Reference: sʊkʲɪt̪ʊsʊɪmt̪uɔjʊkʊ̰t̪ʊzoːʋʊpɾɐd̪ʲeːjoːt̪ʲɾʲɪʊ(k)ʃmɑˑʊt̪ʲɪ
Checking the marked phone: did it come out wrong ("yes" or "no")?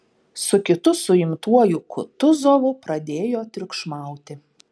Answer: no